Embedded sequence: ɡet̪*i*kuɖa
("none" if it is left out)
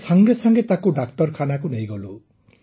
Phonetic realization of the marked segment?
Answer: a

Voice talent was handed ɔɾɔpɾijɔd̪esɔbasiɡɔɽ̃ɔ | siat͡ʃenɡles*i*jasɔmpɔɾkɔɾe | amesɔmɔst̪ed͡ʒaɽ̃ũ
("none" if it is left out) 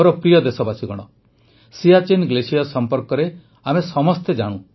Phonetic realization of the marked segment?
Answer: i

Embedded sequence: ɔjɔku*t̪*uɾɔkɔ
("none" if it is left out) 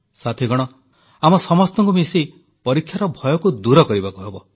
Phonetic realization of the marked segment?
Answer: d̪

